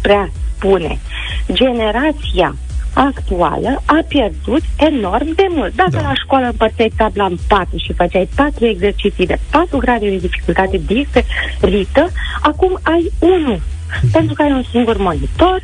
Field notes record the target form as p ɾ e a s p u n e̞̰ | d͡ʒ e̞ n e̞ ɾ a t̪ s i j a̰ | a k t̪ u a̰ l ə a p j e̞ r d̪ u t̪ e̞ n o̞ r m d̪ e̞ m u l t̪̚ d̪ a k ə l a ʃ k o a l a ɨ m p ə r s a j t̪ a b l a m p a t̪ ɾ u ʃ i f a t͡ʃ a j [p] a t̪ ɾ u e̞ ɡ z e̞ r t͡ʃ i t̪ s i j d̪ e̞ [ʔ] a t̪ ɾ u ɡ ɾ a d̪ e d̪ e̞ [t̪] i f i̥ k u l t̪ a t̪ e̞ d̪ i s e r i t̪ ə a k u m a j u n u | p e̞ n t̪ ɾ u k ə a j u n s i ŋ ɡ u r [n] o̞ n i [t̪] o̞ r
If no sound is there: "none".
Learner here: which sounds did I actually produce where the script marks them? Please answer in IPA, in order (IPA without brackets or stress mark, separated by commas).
p, p, d̪, m, t̪